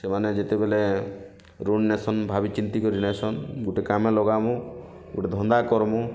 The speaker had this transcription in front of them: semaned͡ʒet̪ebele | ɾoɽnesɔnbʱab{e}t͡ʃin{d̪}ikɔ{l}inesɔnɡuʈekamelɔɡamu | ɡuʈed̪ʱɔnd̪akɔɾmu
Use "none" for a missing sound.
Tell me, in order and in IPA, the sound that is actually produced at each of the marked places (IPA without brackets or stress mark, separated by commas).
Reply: i, t̪, ɾ